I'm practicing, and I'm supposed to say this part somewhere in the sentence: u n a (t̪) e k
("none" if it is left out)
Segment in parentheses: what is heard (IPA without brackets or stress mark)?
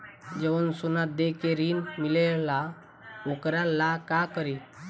d̪